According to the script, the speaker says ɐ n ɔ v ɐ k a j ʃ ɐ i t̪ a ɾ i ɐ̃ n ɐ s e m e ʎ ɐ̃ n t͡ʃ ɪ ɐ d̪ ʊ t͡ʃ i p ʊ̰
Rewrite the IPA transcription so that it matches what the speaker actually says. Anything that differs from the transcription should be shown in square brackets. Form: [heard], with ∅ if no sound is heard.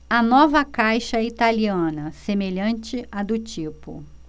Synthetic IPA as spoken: ɐ n ɔ v ɐ k a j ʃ ɐ i t̪ a [l] i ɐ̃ n ɐ s e m e ʎ ɐ̃ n t͡ʃ ɪ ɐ d̪ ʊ t͡ʃ i p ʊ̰